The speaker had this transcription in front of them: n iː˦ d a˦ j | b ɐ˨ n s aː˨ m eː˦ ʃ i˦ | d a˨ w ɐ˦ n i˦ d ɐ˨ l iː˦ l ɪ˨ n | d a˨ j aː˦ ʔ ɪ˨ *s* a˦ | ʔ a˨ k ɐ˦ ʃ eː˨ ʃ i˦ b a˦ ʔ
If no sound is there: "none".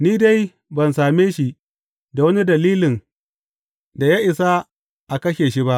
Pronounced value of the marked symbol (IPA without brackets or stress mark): s